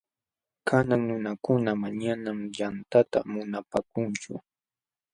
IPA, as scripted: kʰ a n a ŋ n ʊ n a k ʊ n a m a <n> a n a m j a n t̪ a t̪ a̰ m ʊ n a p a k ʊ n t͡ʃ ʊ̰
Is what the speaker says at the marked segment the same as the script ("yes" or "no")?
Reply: no